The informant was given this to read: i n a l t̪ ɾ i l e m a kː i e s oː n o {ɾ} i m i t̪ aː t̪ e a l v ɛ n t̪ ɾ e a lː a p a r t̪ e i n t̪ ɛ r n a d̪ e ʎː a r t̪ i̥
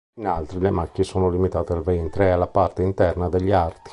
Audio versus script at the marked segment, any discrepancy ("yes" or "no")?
yes